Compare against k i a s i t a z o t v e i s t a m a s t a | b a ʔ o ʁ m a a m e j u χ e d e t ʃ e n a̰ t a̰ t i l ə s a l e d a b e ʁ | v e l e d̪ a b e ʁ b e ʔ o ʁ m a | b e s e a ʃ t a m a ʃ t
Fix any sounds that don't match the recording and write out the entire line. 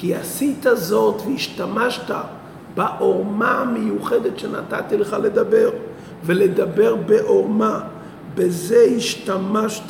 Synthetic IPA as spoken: k i a s i t a z o t v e i ʃ t a m a ʃ t a | b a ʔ o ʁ m a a m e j u χ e d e t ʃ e n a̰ t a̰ t i l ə χ a l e d a b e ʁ | v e l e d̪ a b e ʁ b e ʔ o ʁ m a | b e z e i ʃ t a m a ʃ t